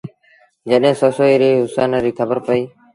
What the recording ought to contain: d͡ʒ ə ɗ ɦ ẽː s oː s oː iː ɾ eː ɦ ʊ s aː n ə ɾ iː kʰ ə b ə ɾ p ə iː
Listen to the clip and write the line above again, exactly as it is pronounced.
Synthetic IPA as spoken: d͡ʒ ə ɗ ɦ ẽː s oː s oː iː ɾ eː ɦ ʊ s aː n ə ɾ iː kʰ ə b ə ɾ p ə iː